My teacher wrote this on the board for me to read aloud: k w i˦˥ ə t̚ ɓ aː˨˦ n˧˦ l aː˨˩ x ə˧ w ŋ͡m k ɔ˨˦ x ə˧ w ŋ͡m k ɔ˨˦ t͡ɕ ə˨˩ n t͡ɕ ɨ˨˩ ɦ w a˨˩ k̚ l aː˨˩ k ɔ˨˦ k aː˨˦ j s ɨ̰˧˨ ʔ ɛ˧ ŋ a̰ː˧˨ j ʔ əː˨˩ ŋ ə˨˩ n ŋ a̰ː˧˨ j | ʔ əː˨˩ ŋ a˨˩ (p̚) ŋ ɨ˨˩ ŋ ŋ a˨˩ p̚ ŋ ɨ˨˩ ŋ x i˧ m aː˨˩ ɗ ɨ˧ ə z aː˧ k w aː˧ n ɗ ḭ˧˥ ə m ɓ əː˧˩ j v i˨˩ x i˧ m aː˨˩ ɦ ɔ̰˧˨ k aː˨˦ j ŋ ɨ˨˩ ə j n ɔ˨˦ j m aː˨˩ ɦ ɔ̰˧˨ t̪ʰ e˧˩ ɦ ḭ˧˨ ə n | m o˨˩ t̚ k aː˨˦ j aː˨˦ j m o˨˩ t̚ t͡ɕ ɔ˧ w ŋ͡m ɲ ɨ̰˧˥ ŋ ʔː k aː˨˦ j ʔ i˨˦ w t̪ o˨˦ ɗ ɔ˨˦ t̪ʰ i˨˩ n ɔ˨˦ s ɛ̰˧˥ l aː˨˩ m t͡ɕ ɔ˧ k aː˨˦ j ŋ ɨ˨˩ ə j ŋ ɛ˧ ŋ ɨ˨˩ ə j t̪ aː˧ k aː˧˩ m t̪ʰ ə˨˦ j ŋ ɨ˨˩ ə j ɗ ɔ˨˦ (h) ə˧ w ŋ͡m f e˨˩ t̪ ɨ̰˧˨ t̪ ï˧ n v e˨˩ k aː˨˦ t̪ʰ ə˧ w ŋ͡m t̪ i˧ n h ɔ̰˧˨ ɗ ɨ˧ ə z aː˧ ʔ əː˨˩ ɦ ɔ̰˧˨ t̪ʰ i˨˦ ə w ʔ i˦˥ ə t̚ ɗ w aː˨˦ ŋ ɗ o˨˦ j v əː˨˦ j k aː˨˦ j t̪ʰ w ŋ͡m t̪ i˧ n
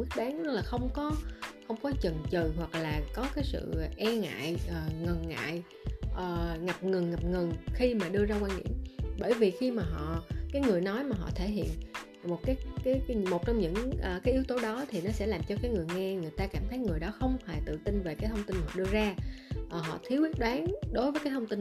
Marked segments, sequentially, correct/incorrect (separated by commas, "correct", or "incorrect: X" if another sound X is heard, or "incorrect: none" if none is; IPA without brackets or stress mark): correct, incorrect: x